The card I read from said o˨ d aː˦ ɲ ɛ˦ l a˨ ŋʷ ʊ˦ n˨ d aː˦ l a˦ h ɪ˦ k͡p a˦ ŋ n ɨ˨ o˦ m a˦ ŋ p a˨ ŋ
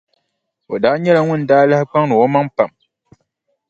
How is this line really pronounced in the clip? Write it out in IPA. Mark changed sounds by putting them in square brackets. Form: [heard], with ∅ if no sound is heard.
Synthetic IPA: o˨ d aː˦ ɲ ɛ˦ l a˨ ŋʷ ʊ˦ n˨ d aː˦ l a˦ h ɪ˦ k͡p a˦ ŋ n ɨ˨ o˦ m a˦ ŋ p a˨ [m]